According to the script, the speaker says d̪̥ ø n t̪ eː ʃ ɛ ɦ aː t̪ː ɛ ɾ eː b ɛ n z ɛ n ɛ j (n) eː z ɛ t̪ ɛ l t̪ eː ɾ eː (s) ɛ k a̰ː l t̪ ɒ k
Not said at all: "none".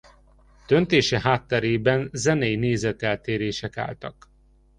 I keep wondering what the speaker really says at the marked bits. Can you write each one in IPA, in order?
n, ʃ

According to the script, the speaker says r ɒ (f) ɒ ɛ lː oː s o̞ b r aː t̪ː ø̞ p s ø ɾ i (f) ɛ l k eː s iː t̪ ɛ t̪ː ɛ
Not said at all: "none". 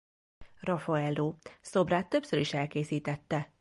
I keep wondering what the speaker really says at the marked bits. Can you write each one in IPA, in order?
f, ʃ

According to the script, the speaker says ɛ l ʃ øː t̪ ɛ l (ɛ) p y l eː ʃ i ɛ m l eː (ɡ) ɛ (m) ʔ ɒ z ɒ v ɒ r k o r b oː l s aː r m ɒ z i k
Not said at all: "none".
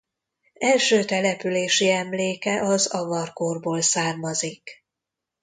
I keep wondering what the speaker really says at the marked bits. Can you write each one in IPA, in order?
ɛ, k, none

